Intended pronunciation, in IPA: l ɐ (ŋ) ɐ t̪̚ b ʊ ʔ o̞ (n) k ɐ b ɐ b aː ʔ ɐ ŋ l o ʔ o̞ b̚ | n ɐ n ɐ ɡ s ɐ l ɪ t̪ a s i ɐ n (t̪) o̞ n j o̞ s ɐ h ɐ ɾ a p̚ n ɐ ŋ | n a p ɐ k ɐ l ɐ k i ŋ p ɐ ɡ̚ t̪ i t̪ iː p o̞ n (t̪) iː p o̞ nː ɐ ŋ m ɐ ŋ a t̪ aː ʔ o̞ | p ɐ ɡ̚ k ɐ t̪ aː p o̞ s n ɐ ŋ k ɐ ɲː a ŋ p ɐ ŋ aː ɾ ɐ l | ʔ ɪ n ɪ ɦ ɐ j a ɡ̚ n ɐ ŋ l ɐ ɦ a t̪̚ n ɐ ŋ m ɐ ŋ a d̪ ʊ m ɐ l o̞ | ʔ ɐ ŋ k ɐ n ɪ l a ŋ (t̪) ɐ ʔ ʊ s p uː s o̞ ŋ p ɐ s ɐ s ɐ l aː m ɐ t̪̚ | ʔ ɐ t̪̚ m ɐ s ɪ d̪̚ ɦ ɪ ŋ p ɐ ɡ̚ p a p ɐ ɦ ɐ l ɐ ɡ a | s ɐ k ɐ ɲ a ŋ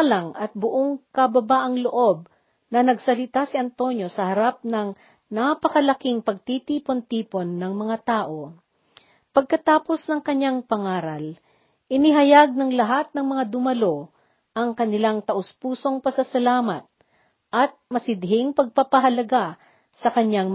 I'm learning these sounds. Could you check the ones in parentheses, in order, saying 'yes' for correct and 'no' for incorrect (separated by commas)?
yes, no, yes, yes, yes